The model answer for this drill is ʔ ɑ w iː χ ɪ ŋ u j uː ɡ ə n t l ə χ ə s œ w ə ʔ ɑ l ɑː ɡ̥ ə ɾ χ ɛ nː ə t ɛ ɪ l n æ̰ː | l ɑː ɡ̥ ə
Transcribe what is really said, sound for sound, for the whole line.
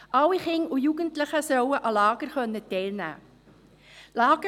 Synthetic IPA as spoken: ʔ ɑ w i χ ɪ ŋ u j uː ɡ ə n t l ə χ ə s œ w ə ʔ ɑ l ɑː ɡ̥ ə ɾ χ œ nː ə t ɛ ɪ l n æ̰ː | l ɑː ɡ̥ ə